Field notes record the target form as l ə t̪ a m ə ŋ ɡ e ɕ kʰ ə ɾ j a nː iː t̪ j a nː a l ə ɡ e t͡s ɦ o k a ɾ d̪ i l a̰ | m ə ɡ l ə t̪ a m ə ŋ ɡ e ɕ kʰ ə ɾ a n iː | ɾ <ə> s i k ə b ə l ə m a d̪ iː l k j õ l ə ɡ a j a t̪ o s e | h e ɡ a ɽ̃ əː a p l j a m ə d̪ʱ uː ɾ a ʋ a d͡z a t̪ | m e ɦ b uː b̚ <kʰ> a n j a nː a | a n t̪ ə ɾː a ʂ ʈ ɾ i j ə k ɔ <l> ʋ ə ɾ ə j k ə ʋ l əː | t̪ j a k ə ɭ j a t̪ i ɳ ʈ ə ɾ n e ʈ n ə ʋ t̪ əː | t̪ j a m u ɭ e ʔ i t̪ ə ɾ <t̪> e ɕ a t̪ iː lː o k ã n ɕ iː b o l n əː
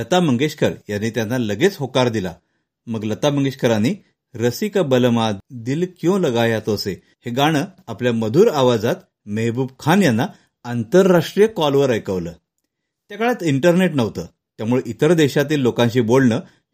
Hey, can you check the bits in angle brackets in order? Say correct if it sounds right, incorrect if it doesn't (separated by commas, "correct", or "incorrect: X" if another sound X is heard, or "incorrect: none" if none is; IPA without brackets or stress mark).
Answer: correct, correct, correct, incorrect: d̪